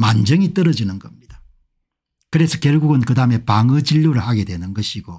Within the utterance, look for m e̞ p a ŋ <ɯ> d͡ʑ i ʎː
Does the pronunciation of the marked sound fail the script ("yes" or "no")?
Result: no